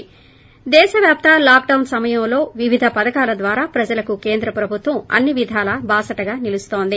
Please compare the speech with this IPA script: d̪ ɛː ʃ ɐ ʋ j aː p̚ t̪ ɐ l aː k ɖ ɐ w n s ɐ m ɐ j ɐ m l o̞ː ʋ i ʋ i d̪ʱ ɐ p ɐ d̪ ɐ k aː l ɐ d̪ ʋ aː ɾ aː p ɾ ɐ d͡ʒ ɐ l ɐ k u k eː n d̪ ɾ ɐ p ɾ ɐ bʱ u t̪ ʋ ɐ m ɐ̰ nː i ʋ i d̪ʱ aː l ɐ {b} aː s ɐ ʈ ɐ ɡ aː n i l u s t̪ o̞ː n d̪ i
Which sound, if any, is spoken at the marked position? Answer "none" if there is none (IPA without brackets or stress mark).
b